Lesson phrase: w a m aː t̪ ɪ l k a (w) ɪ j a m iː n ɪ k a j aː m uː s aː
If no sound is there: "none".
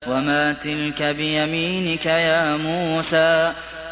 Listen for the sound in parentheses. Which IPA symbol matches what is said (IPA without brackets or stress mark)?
b